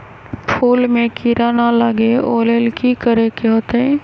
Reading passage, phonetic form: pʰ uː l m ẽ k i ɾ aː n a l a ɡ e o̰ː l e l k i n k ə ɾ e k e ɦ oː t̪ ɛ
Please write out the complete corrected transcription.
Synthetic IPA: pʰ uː l m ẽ k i ɾ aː n a l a ɡ e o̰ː l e l k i k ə ɾ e k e ɦ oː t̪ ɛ